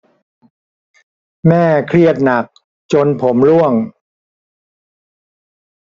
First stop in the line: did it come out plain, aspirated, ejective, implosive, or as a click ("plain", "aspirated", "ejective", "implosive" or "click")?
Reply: aspirated